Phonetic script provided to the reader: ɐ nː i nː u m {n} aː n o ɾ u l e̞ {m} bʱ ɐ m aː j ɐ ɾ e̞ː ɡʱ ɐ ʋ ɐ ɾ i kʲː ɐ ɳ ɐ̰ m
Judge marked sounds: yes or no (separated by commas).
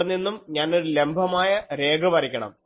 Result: no, yes